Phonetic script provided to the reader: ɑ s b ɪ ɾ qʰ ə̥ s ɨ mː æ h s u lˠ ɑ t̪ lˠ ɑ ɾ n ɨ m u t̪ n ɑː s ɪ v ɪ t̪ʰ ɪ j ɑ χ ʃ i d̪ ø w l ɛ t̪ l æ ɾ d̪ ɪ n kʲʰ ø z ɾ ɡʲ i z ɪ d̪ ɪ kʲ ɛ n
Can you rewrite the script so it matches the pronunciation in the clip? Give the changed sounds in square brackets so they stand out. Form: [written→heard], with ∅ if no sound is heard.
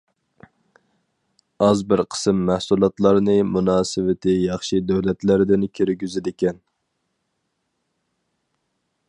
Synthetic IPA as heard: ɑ [s→z] b ɪ ɾ qʰ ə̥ s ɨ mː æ h s u lˠ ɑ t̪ lˠ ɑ ɾ n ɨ m u [t̪→∅] n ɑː s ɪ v ɪ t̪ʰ ɪ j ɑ χ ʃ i d̪ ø w l ɛ t̪ l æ ɾ d̪ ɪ n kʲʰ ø [z→∅] ɾ ɡʲ [i→y] z ɪ d̪ ɪ kʲ ɛ n

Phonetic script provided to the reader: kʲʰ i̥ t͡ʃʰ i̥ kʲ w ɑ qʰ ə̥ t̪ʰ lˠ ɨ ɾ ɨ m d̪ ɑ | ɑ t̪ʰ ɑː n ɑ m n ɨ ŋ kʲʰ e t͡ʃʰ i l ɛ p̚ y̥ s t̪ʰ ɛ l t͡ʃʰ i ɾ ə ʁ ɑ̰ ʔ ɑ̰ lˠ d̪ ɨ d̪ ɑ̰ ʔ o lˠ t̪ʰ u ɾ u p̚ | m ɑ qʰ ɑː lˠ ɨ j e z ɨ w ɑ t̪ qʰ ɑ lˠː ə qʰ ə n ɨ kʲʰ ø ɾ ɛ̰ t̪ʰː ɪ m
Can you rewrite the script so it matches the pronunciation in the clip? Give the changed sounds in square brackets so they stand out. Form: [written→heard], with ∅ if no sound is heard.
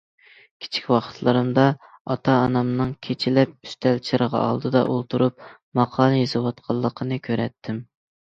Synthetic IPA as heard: kʲʰ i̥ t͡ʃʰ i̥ kʲ w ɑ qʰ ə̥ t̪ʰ lˠ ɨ ɾ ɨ m d̪ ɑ | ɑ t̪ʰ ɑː n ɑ m n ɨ ŋ kʲʰ e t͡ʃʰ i l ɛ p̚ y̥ s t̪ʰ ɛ l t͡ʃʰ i ɾ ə ʁ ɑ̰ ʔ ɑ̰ lˠ d̪ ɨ d̪ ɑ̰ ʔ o lˠ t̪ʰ u ɾ u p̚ | m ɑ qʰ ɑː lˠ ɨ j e z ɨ w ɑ t̪ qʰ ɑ lˠː ə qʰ ə n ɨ kʲʰ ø ɾ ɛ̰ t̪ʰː ɪ m

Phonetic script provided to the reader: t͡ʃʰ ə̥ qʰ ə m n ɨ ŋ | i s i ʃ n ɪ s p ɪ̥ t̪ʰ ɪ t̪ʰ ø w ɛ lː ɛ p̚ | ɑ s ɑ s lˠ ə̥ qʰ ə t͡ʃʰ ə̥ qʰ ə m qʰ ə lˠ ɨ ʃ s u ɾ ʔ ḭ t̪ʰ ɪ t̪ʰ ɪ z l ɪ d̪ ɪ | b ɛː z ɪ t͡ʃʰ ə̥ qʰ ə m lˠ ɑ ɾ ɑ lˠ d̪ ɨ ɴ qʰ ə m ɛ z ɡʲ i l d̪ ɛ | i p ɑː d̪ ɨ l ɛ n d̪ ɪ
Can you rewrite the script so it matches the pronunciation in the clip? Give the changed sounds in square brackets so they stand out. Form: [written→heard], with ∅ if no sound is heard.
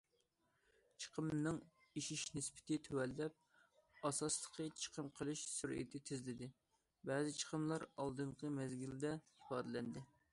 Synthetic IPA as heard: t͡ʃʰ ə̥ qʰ ə m n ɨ ŋ | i [s→ʃ] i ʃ n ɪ s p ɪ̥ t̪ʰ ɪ t̪ʰ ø w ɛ lː ɛ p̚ | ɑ s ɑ s lˠ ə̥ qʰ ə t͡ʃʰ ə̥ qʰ ə m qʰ ə lˠ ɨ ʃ s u ɾ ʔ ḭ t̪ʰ ɪ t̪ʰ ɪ z l ɪ d̪ ɪ | b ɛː z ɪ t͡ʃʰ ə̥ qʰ ə m lˠ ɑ ɾ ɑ lˠ d̪ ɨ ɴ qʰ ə m ɛ z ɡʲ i l d̪ ɛ | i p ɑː d̪ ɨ l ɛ n d̪ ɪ

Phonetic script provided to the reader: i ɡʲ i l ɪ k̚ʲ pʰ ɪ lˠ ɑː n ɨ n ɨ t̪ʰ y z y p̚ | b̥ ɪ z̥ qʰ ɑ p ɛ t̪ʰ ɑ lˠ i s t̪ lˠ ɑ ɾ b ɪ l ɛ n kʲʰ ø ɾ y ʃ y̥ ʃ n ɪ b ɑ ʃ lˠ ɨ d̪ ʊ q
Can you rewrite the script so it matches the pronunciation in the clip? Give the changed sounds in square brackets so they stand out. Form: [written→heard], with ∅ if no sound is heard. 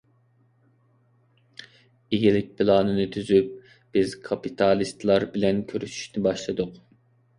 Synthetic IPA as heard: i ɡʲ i l ɪ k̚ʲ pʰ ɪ lˠ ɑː n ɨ n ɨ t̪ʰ y z y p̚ | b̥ ɪ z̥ [qʰ→kʰ] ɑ p [ɛ→i] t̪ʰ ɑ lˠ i s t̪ lˠ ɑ ɾ b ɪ l ɛ n kʲʰ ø ɾ y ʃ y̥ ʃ n ɪ b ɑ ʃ lˠ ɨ d̪ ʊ q

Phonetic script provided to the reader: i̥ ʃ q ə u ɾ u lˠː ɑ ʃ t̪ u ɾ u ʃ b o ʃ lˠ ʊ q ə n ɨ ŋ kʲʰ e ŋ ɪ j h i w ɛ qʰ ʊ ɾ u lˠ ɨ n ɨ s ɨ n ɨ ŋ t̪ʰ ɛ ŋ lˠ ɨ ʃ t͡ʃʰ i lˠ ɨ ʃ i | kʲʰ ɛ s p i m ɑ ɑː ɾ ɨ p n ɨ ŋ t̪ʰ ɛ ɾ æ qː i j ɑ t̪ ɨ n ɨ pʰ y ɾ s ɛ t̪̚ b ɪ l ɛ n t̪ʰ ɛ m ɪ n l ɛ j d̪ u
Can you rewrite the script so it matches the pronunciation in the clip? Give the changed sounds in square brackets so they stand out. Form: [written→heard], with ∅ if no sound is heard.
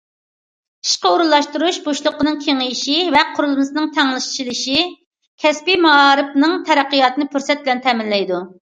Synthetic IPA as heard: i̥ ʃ q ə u ɾ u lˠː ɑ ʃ t̪ u ɾ u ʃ b o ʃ lˠ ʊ q ə n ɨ ŋ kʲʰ e ŋ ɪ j [h→ʃ] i [w→v] ɛ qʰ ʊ ɾ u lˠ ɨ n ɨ s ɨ n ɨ ŋ t̪ʰ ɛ ŋ lˠ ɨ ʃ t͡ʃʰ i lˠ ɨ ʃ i | kʲʰ ɛ s p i m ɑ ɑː ɾ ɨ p n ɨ ŋ t̪ʰ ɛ ɾ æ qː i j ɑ t̪ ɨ n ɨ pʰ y ɾ s ɛ t̪̚ b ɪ l ɛ n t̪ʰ ɛ m ɪ n l ɛ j d̪ u

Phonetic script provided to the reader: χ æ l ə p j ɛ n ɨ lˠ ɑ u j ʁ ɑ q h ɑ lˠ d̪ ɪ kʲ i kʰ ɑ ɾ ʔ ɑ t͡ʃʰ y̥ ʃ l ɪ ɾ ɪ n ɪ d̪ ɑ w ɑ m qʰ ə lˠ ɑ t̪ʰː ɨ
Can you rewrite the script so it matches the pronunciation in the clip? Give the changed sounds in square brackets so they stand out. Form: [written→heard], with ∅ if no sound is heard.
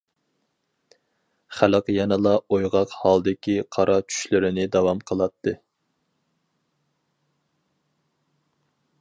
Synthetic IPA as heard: χ æ l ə [p→q] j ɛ n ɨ lˠ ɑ [u→o] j ʁ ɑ q h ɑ lˠ d̪ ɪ kʲ i [kʰ→qʰ] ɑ ɾ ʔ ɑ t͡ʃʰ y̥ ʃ l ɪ ɾ ɪ n ɪ d̪ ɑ w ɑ m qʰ ə lˠ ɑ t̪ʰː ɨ

